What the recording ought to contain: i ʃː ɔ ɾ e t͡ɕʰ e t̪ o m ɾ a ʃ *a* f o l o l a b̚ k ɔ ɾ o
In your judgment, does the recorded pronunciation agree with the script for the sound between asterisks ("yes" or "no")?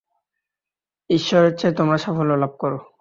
yes